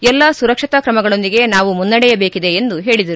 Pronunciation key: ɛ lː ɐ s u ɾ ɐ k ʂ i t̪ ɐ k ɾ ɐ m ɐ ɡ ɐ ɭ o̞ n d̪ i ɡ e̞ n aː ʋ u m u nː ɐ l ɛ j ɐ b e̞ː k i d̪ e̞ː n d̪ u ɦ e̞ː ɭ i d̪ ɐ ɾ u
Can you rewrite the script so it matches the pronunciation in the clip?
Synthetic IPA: ɛ lː ɐ s u ɾ ɐ k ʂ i t̪ ɐ k ɾ ɐ m ɐ ɡ ɐ ɭ o̞ n d̪ i ɡ e̞ n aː ʋ u m u nː ɐ ɽ ɛ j ɐ b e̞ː k i d̪ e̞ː n d̪ u ɦ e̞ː ɭ i d̪ ɐ ɾ u